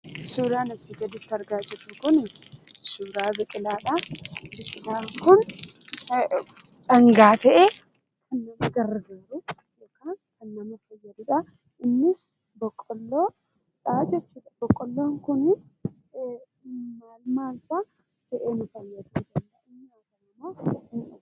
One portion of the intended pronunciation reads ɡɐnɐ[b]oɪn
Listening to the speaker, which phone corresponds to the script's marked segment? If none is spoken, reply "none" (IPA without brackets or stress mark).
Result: m